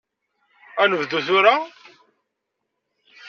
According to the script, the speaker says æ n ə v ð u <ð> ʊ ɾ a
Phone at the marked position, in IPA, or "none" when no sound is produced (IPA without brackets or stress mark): θ